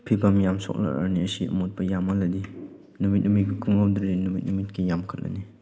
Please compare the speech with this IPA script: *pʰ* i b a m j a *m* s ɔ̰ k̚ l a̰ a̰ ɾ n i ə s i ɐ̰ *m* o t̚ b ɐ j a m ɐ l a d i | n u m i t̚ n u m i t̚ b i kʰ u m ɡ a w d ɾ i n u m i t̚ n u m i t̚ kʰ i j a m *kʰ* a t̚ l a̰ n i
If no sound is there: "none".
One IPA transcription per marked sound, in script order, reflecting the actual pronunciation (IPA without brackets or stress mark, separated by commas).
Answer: pʰ, m, m, kʰ